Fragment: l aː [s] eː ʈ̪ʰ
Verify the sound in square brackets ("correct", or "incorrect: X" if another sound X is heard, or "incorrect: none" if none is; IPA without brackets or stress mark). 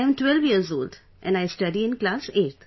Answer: correct